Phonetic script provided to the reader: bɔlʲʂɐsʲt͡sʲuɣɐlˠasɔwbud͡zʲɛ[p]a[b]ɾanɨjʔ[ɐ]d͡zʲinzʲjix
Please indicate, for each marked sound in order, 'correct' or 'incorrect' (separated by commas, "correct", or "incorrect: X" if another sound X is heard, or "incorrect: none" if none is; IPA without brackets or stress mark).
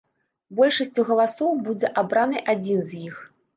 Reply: incorrect: ʔ, correct, incorrect: a